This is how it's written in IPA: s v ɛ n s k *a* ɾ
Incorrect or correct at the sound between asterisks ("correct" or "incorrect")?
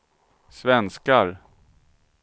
correct